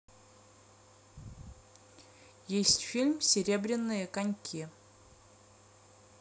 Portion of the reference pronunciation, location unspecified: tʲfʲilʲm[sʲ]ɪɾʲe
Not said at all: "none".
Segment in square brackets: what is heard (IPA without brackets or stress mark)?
sʲ